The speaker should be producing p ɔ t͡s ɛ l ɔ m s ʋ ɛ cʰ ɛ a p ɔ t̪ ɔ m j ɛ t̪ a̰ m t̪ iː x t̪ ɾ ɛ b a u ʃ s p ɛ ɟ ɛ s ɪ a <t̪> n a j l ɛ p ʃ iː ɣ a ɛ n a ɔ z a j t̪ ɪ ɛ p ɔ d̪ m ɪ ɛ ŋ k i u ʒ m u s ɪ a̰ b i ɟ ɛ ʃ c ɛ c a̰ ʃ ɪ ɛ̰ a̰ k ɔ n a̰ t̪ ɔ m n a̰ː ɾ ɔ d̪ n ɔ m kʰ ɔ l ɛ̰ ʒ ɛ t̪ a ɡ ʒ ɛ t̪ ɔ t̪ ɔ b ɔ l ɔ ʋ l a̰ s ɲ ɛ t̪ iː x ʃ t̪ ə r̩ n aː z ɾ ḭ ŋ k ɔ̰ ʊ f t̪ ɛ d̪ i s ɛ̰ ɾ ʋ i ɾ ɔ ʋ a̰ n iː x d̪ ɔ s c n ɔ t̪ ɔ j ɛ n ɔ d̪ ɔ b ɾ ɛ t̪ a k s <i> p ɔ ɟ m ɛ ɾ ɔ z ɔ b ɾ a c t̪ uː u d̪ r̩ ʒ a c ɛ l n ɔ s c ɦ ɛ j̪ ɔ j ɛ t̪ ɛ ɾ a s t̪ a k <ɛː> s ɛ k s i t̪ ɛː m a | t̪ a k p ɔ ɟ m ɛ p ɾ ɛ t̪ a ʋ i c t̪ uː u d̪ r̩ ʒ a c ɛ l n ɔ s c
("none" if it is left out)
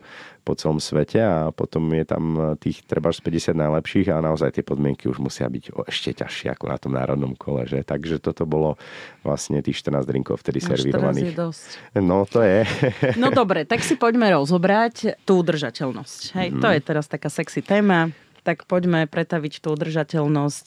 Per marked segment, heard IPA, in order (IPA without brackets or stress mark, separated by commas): d̪, i, aː